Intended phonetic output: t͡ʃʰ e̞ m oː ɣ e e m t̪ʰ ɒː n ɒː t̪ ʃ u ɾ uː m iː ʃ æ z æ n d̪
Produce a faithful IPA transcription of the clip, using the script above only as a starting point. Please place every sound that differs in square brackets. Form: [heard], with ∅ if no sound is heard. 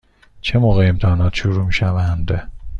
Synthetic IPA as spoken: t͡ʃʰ e̞ m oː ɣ e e m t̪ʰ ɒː n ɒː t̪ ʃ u ɾ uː m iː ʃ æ [v] æ n d̪